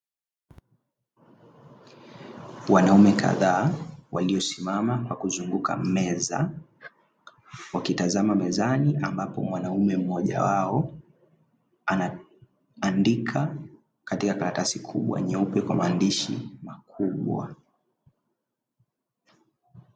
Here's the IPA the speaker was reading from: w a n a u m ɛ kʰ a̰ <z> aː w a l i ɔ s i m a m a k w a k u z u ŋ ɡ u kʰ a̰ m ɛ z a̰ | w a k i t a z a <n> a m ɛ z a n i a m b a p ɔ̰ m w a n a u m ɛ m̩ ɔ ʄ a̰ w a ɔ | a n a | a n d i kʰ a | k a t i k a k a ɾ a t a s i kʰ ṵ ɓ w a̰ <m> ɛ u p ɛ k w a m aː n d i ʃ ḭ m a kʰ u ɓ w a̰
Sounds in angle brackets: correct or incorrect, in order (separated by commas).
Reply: incorrect, incorrect, incorrect